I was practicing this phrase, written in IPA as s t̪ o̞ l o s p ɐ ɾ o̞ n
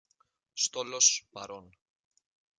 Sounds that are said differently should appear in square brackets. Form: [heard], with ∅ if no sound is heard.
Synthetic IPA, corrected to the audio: s t̪ o̞ l o s p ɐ ɾ o̞ n